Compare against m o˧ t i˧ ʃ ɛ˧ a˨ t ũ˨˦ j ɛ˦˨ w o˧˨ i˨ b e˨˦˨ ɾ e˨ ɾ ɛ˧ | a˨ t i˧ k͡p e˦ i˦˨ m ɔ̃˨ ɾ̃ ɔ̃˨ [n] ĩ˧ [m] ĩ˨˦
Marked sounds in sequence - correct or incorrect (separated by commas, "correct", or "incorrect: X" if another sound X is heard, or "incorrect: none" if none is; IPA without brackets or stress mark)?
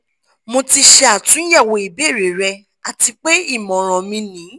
incorrect: m, incorrect: n